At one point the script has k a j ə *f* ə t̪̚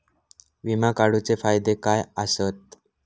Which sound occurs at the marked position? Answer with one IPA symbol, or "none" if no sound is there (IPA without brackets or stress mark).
s